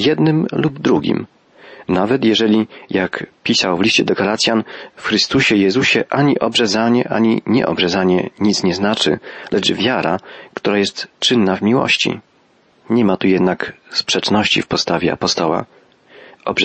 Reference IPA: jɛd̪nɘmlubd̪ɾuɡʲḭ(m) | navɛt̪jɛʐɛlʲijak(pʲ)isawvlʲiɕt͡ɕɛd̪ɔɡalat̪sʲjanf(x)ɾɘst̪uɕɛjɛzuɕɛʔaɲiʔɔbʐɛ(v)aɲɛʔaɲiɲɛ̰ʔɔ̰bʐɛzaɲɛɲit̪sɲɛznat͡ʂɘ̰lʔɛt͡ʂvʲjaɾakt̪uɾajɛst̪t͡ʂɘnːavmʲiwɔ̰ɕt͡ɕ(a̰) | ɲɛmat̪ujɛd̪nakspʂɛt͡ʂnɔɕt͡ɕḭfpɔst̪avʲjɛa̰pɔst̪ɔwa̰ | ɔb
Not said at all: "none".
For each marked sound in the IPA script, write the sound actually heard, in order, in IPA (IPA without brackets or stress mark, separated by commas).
m, pʲ, x, z, ḭ